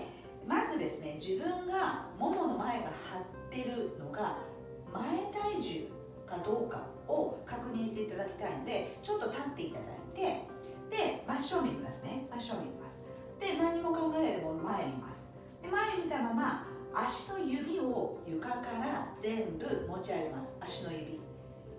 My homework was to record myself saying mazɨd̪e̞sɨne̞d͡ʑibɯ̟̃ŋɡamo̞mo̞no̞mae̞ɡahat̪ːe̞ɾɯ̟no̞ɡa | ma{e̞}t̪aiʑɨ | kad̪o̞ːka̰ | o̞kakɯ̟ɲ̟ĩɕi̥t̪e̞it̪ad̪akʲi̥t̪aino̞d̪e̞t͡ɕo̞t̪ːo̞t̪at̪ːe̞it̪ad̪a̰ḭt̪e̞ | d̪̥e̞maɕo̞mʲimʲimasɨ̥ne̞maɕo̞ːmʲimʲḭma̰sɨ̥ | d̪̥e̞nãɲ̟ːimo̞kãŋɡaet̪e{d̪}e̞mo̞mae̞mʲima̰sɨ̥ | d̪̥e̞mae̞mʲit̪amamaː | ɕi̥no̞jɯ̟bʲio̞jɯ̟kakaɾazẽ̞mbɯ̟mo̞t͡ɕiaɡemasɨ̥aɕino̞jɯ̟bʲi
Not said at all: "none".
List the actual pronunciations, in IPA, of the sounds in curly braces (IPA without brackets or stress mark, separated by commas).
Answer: e̞, t̪